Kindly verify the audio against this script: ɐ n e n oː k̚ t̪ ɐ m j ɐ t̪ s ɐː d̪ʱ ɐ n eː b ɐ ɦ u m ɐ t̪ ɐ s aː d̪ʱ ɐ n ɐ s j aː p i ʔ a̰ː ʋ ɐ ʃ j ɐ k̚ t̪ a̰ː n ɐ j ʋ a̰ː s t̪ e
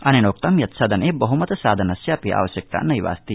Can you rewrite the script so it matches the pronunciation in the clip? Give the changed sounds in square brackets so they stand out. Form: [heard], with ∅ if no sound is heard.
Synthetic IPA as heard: ɐ n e n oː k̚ t̪ ɐ m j ɐ t̪ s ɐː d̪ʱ ɐ n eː b ɐ ɦ u m ɐ t̪ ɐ s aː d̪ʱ ɐ n ɐ s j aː p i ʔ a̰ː ʋ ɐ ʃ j ɐ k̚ t̪ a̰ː n ɐ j ʋ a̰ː s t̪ [i]